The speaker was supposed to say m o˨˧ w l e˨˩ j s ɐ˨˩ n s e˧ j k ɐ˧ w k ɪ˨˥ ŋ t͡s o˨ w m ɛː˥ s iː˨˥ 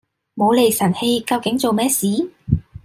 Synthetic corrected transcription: m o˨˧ w l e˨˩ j s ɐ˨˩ n h e˧ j k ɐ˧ w k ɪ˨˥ ŋ t͡s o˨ w m ɛː˥ s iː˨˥